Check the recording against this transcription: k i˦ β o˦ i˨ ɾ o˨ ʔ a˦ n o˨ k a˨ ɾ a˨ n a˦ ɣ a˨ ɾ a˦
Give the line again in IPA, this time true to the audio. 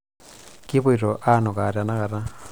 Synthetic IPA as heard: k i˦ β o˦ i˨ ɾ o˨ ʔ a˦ n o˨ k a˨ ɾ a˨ n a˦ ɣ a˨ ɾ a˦